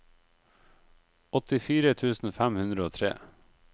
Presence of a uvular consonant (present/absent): absent